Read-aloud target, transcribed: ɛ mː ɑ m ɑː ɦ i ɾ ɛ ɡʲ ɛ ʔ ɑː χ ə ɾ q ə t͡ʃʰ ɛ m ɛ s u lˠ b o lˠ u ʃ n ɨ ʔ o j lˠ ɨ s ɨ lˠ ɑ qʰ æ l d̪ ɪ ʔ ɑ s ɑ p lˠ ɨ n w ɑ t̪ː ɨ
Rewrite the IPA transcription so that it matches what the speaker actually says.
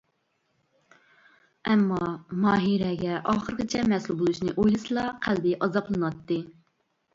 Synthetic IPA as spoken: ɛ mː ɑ m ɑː ɦ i ɾ ɛ ɡʲ ɛ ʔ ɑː χ ə ɾ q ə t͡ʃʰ ɛ m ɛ s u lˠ b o lˠ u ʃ n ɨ ʔ o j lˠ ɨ s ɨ lˠ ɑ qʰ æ l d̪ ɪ ʔ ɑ z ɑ p lˠ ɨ n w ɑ t̪ː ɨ